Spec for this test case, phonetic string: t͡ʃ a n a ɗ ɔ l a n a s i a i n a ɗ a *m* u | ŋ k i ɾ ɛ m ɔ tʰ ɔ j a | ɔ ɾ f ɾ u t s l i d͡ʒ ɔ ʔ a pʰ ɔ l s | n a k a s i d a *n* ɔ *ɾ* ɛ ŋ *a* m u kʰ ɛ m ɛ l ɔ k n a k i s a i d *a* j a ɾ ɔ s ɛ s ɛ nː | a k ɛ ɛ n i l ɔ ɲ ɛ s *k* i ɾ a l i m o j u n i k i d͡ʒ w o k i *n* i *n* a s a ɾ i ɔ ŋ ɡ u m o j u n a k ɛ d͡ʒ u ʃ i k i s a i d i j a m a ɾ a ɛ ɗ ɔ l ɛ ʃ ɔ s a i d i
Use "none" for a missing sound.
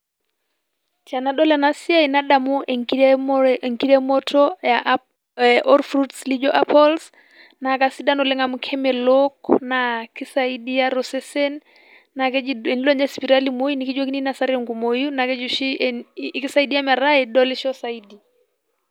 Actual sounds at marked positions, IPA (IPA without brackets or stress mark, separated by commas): m, n, l, a, i, p, n, n